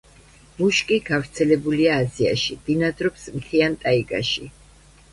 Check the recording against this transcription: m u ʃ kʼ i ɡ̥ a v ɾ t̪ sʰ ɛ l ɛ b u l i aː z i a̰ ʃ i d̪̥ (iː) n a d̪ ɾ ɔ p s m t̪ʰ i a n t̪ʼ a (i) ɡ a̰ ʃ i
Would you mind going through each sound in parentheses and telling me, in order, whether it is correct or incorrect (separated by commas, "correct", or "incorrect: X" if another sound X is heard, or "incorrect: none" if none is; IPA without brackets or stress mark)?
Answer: incorrect: i, correct